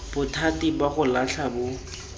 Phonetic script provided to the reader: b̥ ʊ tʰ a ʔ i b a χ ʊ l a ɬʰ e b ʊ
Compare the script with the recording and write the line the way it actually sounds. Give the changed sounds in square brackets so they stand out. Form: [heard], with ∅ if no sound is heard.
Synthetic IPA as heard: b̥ ʊ tʰ a [t] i b a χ ʊ l a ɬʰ [a] b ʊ